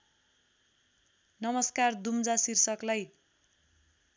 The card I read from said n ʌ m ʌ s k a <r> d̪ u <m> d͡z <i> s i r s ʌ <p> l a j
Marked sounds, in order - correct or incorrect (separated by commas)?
correct, correct, incorrect, incorrect